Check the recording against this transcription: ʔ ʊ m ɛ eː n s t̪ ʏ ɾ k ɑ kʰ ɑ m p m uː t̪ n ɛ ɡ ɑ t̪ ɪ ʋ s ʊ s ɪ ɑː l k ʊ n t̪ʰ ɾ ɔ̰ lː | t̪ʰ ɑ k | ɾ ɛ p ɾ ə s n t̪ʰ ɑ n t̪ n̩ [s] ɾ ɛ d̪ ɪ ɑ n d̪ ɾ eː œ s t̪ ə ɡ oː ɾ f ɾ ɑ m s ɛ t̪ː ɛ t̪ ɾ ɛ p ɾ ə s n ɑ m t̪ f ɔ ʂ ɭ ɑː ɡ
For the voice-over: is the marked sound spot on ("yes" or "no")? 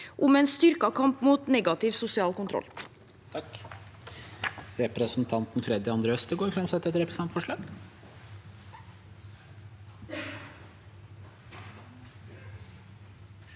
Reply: no